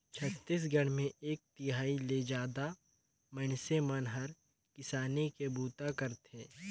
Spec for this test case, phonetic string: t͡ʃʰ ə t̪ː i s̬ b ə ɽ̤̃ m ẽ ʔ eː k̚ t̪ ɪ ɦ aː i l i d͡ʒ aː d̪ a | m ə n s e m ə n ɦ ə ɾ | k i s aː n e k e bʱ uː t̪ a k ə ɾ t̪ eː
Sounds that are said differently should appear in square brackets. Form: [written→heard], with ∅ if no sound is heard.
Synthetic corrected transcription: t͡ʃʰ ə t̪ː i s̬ [b→ɡ] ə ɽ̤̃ m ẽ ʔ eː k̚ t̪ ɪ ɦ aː i l [i→e] d͡ʒ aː d̪ a | m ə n s e m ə n ɦ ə ɾ | k [i→ɪ] s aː n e k e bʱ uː t̪ a k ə ɾ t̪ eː

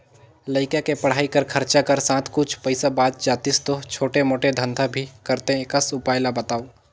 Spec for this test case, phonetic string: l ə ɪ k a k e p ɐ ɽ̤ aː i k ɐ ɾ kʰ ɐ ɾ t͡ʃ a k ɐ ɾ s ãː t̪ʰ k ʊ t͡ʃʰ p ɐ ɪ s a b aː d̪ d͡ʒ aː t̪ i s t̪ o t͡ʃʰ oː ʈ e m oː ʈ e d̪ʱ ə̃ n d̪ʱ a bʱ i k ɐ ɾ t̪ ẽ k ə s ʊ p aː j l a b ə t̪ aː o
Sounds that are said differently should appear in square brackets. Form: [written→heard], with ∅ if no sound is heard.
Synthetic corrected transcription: l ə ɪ k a k e p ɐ ɽ̤ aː i k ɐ ɾ kʰ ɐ ɾ t͡ʃ a k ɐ ɾ s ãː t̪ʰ k ʊ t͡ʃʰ p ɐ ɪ s a b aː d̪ d͡ʒ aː t̪ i s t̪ o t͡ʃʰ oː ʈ e m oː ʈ e d̪ʱ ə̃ n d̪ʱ a bʱ i k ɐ ɾ t̪ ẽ k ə s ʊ p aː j l a b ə t̪ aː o

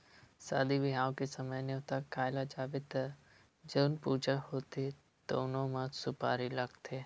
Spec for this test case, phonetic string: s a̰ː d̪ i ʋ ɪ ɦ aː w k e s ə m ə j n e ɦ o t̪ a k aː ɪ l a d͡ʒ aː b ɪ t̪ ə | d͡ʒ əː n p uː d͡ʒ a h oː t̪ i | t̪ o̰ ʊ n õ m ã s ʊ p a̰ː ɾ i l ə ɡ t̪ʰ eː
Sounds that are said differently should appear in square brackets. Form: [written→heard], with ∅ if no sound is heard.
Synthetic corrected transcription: s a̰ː d̪ i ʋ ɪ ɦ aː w k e s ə m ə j n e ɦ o t̪ a k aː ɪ l a d͡ʒ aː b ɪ t̪ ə | d͡ʒ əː n p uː d͡ʒ a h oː t̪ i | t̪ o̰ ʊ n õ m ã s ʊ p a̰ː ɾ i l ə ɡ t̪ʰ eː

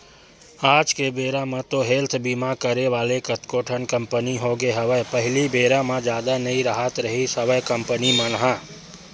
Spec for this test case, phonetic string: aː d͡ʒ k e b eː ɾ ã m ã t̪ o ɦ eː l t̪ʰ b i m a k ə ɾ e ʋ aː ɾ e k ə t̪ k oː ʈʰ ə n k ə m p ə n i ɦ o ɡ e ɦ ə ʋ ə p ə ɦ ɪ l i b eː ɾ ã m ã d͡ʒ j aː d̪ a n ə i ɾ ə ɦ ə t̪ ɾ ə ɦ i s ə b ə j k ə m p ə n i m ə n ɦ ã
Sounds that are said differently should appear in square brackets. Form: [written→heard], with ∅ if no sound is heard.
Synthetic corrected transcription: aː d͡ʒ k e b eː ɾ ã m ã t̪ o ɦ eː l t̪ʰ b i m a k ə ɾ e ʋ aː [ɾ→l] e k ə t̪ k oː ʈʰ ə n k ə m p ə n i ɦ o ɡ e ɦ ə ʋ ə p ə ɦ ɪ l i b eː ɾ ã m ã d͡ʒ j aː d̪ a n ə i ɾ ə ɦ ə t̪ ɾ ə ɦ i s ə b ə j k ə m p ə n i m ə n ɦ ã

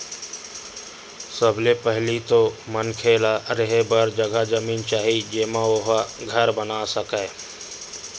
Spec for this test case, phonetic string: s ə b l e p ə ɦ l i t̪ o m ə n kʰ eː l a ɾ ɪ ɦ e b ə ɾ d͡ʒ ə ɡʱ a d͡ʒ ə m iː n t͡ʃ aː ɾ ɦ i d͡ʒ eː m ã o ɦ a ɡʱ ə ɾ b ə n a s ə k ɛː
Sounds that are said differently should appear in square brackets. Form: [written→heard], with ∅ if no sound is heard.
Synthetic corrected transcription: s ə b l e p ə ɦ l i t̪ o m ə n kʰ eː l a ɾ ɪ ɦ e b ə ɾ d͡ʒ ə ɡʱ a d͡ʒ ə m iː n t͡ʃ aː [ɾ→∅] ɦ i d͡ʒ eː m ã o ɦ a ɡʱ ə ɾ b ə n a s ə k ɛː

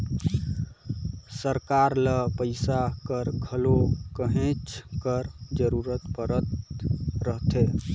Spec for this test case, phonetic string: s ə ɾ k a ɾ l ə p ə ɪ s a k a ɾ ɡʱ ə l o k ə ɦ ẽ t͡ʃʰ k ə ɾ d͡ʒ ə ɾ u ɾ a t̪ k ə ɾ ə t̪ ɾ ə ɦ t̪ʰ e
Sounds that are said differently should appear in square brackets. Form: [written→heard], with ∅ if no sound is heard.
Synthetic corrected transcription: s ə ɾ k a ɾ l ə p ə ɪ s a k [a→ə] ɾ ɡʱ ə l o k ə ɦ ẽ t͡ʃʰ k ə ɾ d͡ʒ ə ɾ u ɾ [a→ə] t̪ [k→p] ə ɾ ə t̪ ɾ ə ɦ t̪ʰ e

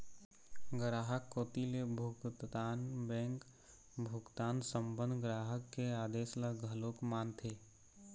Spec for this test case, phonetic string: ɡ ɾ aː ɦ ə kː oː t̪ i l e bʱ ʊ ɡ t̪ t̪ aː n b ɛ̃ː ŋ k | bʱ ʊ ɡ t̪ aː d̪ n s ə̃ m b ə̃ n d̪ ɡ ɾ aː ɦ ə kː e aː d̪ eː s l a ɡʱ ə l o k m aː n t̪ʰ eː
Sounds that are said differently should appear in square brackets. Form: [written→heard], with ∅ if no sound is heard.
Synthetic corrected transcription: ɡ ɾ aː ɦ ə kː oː t̪ i l e bʱ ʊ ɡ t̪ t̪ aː n b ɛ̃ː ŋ k | bʱ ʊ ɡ t̪ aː [d̪→∅] n s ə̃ m b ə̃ n d̪ ɡ ɾ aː ɦ ə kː e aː d̪ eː s l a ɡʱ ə l o k m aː n t̪ʰ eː

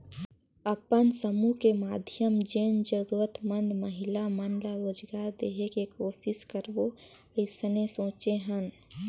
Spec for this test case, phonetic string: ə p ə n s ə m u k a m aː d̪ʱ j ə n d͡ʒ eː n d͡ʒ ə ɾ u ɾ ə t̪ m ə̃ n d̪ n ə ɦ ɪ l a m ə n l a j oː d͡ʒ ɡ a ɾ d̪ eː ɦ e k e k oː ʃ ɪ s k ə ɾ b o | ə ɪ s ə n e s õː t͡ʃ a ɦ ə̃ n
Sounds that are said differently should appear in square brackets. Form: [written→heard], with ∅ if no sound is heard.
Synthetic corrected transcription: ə p ə n s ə m u k [a→e] m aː d̪ʱ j ə [n→m] d͡ʒ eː n d͡ʒ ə ɾ u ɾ ə t̪ m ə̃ n d̪ [n→m] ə ɦ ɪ l a m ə n l a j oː d͡ʒ ɡ a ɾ d̪ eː ɦ e k e k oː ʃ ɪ s k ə ɾ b o | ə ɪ s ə n e s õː t͡ʃ [a→e] ɦ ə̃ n

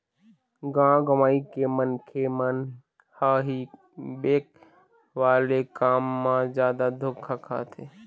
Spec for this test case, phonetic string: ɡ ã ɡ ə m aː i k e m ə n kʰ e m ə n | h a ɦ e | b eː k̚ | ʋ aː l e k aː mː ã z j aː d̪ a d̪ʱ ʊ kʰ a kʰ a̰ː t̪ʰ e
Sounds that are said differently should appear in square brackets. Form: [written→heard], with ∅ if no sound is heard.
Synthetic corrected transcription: ɡ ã ɡ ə m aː i k e m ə n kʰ e m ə n | h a ɦ [e→i] | b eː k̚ | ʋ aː l e k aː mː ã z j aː d̪ a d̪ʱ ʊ kʰ a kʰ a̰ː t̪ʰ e

